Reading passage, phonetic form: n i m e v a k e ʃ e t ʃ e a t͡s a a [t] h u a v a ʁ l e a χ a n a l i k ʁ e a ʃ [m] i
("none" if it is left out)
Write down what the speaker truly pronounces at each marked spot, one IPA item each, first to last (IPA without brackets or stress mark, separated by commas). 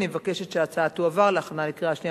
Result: t, n